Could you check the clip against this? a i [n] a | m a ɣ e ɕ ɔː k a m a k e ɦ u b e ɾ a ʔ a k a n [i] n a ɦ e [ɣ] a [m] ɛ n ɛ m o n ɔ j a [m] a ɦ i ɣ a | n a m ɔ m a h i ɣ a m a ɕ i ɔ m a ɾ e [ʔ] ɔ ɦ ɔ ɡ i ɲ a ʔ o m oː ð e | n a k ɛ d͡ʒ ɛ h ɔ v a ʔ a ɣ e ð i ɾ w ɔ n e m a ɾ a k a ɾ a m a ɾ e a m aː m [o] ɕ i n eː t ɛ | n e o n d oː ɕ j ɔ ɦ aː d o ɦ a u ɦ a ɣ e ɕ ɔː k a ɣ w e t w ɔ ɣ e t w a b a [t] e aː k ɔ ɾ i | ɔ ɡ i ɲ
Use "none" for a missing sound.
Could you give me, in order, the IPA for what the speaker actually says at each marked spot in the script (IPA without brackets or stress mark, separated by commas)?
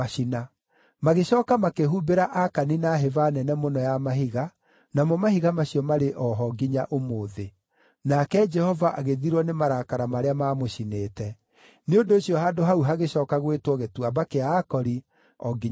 n, i, v, n, m, ʔ, o, k